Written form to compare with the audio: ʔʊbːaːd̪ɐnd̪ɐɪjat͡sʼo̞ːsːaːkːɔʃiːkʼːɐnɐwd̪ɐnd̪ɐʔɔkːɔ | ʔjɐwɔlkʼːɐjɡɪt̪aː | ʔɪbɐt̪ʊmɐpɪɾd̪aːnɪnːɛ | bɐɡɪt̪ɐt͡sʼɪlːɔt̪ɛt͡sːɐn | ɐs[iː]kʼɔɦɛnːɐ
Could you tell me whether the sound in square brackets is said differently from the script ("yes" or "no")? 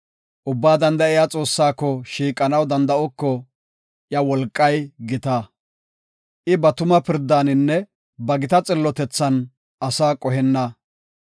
yes